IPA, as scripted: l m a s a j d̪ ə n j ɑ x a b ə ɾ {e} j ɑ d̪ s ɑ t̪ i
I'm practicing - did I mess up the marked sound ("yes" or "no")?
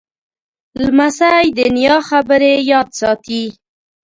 no